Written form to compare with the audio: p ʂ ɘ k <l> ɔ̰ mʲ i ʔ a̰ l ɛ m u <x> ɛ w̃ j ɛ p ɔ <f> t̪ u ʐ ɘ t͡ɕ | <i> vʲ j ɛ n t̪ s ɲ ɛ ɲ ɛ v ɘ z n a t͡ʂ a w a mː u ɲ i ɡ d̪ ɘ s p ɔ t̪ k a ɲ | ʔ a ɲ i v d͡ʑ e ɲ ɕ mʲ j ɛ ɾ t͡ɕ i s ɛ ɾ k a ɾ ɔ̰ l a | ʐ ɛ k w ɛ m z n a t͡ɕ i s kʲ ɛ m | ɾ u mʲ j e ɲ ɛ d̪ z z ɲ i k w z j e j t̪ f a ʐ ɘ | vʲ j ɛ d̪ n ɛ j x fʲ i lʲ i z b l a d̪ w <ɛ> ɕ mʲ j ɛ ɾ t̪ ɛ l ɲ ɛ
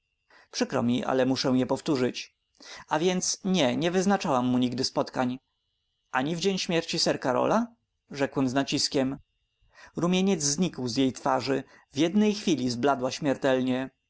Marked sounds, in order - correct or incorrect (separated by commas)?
incorrect, incorrect, correct, incorrect, incorrect